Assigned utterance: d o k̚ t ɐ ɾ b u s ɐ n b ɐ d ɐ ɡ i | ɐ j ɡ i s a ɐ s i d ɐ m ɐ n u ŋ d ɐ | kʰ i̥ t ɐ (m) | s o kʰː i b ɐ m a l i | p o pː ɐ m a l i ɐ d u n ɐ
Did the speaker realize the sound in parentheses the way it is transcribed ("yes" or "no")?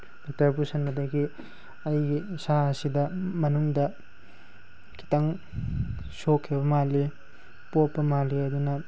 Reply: no